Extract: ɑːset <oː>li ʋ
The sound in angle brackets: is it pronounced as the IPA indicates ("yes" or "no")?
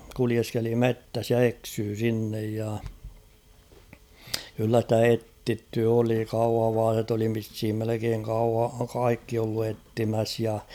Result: no